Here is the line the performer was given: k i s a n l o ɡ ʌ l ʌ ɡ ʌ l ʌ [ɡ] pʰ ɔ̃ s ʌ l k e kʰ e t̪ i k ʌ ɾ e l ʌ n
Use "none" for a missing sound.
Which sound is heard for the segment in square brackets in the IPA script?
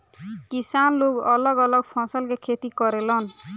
ɡ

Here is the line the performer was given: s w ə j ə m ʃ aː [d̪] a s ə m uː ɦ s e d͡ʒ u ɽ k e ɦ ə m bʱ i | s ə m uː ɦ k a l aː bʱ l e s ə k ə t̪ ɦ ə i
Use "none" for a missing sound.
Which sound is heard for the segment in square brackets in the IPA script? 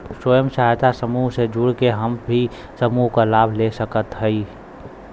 t̪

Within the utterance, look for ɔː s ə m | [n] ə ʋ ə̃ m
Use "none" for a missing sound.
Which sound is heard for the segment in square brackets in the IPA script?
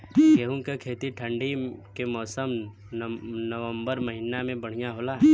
n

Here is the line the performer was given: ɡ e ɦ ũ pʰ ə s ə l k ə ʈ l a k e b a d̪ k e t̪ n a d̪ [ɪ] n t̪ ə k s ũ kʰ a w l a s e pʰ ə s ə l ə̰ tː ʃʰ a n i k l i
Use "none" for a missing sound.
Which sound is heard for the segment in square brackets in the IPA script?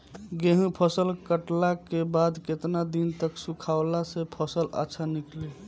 i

